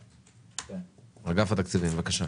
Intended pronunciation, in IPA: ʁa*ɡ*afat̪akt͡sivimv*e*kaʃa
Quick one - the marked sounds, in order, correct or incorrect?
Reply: correct, incorrect: a

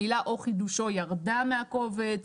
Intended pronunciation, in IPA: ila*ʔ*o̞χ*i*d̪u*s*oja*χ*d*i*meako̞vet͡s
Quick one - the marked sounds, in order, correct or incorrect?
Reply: correct, correct, incorrect: ʃ, incorrect: ʁ, incorrect: a

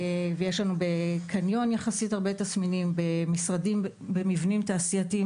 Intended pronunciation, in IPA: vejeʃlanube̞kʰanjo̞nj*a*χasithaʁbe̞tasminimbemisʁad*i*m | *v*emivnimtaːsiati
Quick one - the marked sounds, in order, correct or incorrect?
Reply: correct, correct, incorrect: b

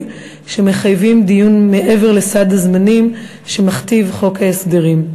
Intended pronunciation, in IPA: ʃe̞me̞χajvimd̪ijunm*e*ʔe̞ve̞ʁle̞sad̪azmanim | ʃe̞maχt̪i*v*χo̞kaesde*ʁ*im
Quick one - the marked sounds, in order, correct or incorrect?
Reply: correct, correct, correct

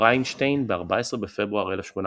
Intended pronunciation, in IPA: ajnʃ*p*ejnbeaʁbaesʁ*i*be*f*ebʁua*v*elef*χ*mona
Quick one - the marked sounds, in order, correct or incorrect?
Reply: incorrect: t, incorrect: e, correct, incorrect: ʁ, incorrect: ʃ

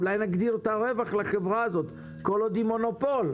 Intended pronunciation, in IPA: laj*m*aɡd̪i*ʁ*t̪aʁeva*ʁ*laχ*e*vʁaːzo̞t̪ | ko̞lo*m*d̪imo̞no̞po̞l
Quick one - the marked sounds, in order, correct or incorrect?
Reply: incorrect: n, correct, incorrect: χ, correct, incorrect: none

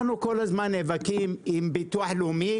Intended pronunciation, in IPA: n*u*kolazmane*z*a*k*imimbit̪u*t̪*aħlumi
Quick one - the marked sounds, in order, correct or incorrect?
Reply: correct, incorrect: v, correct, incorrect: none

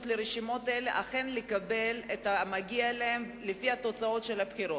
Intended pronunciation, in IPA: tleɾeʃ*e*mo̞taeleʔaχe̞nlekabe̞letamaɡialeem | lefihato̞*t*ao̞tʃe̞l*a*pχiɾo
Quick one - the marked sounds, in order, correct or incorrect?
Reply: incorrect: i, incorrect: t͡s, correct

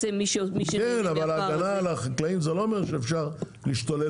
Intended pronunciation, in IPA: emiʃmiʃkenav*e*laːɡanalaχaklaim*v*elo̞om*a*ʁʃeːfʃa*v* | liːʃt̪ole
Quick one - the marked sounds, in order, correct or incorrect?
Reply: incorrect: a, incorrect: z, incorrect: e, incorrect: ʁ

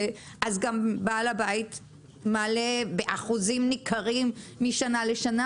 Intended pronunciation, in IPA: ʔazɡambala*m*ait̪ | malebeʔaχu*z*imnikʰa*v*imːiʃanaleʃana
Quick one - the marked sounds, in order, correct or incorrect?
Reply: incorrect: b, correct, incorrect: ʁ

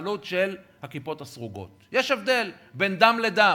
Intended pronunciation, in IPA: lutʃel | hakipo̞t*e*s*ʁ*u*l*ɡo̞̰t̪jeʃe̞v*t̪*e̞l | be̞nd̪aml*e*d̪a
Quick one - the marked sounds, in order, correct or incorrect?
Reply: incorrect: a, correct, incorrect: none, incorrect: d̪, correct

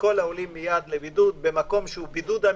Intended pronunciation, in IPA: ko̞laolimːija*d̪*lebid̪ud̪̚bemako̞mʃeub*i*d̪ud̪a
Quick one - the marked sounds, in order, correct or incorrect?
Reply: correct, correct

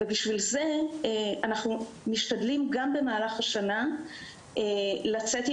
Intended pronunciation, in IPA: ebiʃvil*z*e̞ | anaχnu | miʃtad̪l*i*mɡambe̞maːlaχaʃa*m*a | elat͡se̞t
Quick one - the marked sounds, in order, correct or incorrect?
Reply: correct, correct, incorrect: n

